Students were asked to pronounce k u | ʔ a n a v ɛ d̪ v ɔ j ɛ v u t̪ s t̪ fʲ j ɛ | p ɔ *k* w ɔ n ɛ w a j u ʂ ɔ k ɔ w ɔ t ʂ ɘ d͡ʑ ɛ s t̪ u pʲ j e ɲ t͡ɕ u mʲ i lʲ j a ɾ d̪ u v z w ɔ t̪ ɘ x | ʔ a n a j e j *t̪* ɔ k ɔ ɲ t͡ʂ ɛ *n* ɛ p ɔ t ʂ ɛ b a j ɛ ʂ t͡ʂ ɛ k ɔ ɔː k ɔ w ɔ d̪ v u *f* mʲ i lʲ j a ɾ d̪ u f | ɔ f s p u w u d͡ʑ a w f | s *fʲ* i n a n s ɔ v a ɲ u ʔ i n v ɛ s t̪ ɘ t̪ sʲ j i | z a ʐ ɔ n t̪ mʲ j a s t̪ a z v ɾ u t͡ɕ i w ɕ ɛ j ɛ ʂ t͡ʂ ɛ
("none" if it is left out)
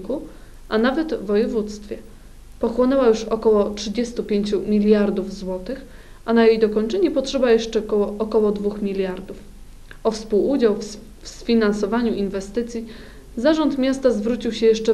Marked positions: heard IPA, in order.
x, d̪, ɲ, x, fʲ

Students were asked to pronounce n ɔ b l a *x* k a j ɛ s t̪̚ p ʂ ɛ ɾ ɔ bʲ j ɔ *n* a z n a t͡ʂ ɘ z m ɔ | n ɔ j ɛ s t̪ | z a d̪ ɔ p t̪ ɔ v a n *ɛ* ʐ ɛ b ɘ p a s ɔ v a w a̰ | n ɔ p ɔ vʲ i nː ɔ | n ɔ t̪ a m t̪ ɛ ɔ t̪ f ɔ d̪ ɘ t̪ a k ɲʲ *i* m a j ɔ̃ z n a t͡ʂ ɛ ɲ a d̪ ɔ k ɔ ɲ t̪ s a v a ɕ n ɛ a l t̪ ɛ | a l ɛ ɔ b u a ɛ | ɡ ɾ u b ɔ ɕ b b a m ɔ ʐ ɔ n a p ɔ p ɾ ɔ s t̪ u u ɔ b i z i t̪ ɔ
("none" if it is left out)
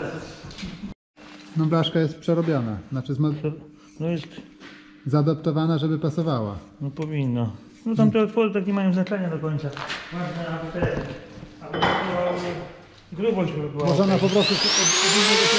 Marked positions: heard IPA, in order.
ʂ, n, a, ɛ

